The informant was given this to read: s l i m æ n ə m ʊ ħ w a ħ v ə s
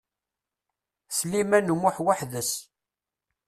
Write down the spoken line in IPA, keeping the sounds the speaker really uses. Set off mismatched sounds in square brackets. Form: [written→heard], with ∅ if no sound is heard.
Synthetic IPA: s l i m æ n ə m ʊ ħ w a ħ [v→ð] ə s